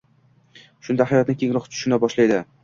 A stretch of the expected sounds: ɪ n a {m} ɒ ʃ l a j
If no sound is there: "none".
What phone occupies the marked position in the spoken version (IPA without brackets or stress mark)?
b